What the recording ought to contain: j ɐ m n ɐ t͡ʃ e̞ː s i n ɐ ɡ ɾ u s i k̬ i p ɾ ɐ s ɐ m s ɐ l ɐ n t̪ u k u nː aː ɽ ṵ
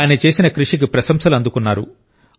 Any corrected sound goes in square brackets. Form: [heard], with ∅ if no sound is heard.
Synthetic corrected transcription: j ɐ [∅] n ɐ t͡ʃ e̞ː s i n ɐ [k] ɾ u [ʂ] i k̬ i p ɾ ɐ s ɐ m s ɐ l ɐ n [d̪] u k u nː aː [ɾ] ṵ